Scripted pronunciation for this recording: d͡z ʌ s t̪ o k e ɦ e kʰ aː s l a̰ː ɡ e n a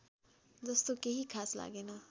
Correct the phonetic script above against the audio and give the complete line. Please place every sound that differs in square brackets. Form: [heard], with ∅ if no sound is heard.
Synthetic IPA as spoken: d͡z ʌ s t̪ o k e ɦ [i] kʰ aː s l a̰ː ɡ e n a